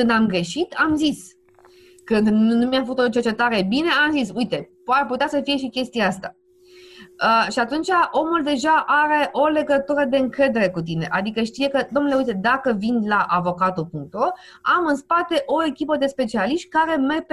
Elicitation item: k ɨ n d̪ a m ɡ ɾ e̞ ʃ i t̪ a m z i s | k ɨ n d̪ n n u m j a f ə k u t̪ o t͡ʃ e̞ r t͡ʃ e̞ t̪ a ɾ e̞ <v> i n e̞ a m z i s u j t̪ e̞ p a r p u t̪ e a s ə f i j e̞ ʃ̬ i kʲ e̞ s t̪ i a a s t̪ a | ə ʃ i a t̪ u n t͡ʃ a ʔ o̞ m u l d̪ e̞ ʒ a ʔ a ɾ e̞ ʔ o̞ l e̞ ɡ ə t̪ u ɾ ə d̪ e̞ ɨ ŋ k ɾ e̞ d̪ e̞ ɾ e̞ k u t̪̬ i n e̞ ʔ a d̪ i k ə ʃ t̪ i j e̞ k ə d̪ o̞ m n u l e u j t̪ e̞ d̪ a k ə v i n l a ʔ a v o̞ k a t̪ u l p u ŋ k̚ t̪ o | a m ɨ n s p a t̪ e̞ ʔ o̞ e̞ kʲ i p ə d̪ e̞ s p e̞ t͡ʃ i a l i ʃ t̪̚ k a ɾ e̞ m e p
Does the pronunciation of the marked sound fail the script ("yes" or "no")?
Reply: yes